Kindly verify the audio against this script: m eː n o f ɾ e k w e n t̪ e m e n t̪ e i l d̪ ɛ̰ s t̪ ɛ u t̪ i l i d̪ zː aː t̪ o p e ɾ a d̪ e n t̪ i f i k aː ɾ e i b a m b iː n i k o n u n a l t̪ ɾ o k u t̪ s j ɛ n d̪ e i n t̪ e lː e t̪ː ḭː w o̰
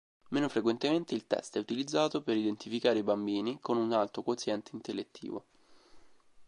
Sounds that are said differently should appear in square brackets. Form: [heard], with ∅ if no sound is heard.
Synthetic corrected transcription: m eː n o f ɾ e k w e n t̪ e m e n t̪ e i l [t̪] ɛ̰ s t̪ ɛ u t̪ i l i d̪ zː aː t̪ o p e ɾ [i] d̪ e n t̪ i f i k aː ɾ e i b a m b iː n i k o n u n a l t̪ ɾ o k [o] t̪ s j ɛ n [t̪] e i n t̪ e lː e t̪ː ḭː [v] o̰